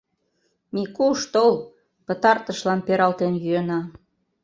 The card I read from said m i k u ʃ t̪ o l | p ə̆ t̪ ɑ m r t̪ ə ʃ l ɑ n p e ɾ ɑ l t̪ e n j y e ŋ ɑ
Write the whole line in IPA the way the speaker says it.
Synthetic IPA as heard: m i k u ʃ t̪ o l | p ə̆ t̪ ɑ r t̪ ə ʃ l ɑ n p e ɾ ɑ l t̪ e n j y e n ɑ